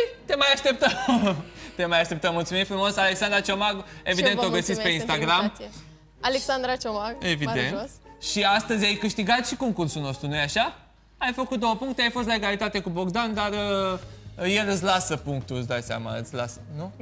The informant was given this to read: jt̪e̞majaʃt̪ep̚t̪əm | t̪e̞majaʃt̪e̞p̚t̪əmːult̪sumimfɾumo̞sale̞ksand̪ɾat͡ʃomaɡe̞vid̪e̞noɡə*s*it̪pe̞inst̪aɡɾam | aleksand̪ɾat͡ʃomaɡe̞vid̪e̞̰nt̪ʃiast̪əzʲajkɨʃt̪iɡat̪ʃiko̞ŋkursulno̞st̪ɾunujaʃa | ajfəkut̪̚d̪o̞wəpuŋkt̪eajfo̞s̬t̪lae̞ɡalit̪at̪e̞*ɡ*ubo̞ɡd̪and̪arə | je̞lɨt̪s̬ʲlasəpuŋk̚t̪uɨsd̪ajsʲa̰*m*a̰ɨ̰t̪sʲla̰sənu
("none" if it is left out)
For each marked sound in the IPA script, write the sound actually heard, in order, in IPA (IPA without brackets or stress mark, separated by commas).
s, k, m